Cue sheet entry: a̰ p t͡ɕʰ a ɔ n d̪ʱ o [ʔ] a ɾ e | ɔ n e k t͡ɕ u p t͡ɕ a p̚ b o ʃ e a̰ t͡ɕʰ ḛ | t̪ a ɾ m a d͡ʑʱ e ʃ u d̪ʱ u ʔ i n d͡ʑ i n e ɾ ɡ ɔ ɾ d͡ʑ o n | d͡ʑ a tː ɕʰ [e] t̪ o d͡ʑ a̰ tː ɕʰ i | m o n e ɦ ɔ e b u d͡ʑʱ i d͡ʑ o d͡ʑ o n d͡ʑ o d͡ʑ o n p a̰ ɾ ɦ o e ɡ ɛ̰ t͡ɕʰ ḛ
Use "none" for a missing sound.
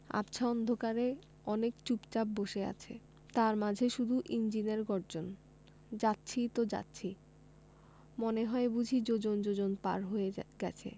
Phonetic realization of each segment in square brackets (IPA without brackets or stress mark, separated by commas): k, i